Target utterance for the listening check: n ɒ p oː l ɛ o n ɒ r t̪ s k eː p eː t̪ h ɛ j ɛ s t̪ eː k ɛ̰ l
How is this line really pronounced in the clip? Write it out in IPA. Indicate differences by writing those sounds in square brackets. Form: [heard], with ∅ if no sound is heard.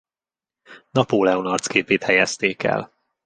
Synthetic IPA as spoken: n ɒ p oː l ɛ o n ɒ r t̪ s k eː p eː t̪ h ɛ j ɛ s t̪ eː k ɛ̰ l